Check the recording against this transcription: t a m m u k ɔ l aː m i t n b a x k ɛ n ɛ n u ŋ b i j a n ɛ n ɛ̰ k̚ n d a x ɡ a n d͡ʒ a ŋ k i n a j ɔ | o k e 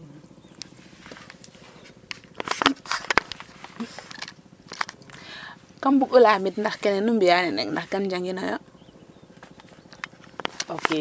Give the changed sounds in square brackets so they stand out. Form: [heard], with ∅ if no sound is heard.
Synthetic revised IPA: [k] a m [b] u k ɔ l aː m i t n [d] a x k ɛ n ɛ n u [m] b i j a n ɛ n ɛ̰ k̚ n d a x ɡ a n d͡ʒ a ŋ [ɡ] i n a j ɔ | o k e